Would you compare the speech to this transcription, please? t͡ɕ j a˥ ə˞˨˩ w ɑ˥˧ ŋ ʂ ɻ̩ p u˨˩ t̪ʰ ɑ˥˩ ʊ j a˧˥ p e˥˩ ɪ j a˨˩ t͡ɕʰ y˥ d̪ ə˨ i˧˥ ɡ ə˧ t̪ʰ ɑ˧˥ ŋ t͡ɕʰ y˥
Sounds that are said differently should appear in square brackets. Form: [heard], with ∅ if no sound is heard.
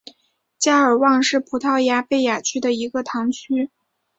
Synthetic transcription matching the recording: t͡ɕ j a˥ ə˞˨˩ w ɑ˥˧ ŋ ʂ ɻ̩ [pʰ] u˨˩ t̪ʰ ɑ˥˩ ʊ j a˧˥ p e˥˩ ɪ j a˨˩ t͡ɕʰ y˥ d̪ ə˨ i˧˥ ɡ ə˧ t̪ʰ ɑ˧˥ ŋ t͡ɕʰ y˥